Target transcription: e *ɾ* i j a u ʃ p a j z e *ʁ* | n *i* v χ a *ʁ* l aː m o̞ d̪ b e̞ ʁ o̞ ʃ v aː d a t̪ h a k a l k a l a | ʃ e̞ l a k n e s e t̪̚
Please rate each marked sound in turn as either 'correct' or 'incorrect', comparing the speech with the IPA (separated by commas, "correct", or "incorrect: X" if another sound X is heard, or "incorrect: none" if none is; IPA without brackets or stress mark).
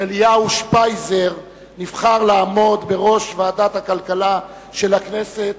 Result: incorrect: l, correct, correct, correct